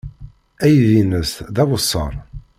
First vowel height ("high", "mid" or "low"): low